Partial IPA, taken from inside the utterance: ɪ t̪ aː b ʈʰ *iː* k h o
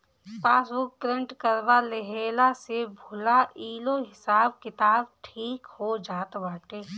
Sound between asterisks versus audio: correct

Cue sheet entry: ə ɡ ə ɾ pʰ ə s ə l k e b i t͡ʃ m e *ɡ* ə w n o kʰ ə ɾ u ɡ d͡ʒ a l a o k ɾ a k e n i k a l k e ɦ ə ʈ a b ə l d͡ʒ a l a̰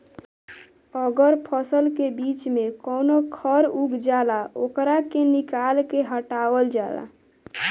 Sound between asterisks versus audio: incorrect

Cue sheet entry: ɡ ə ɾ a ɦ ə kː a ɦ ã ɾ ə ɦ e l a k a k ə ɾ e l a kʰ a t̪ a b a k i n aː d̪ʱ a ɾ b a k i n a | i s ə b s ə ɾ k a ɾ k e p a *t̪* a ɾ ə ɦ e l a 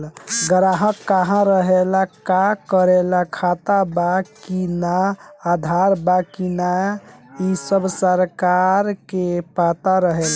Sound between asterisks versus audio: correct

